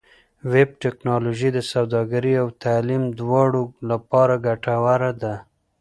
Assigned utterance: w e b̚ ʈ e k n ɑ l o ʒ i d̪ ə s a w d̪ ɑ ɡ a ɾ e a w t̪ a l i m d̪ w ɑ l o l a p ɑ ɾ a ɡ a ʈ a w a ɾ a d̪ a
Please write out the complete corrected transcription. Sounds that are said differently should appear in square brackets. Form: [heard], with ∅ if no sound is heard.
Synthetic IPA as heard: w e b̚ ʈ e k n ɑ l o ʒ i d̪ ə s a w d̪ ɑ ɡ a ɾ [i] a w t̪ a l i m d̪ w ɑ [ɽ] o l a p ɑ ɾ a ɡ a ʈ a w a ɾ a d̪ a